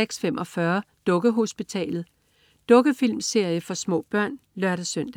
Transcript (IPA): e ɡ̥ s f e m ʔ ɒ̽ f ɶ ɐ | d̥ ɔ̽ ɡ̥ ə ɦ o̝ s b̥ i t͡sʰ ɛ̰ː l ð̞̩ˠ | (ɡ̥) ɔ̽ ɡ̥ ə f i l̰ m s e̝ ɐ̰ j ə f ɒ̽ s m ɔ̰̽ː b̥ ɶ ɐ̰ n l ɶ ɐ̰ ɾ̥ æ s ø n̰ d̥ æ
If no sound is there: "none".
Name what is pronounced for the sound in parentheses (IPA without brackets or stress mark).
d̥